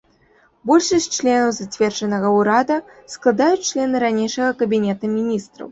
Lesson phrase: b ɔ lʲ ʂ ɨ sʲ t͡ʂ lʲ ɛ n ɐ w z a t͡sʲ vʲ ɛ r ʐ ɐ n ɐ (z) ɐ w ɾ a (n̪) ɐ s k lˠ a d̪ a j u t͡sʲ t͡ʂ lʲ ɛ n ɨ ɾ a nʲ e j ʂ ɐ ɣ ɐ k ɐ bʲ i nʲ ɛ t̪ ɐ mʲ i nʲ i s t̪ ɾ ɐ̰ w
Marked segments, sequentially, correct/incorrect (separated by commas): incorrect, incorrect